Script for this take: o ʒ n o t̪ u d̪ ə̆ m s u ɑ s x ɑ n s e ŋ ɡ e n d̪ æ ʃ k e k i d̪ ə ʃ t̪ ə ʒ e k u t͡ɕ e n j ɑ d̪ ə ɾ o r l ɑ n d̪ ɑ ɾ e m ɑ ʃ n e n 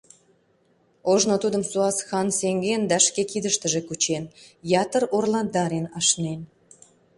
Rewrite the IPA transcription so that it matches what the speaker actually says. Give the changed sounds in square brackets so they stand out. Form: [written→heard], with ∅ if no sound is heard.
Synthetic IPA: o ʒ n o t̪ u d̪ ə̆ m s u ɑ s x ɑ n s e ŋ ɡ e n d̪ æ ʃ k e k i d̪ ə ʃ t̪ ə ʒ e k u t͡ɕ e n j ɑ [d̪→t̪] ə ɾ o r l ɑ n d̪ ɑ ɾ e [m→n] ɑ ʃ n e n